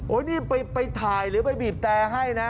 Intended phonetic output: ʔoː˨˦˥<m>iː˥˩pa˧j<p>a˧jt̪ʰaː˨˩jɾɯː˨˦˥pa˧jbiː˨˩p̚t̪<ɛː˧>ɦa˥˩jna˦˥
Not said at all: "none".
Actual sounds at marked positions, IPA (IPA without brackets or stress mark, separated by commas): n, p, ɛː˧